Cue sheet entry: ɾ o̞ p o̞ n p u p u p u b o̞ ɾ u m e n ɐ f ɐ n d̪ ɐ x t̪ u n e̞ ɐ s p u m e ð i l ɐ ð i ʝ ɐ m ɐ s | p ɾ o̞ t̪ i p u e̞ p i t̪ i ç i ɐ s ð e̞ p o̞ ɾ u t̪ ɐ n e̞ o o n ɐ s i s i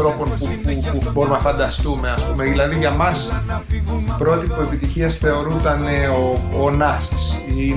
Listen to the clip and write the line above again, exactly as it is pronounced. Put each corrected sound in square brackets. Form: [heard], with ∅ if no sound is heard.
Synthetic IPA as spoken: ɾ o̞ p o̞ n p u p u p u b o̞ ɾ u m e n ɐ f ɐ n d̪ ɐ [s] t̪ u [m] e̞ ɐ s p u m e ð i l ɐ ð i ʝ ɐ m ɐ s | p ɾ o̞ t̪ i p u e̞ p i t̪ i ç i ɐ s [θ] e̞ [∅] o̞ ɾ u t̪ ɐ n e̞ o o n ɐ s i s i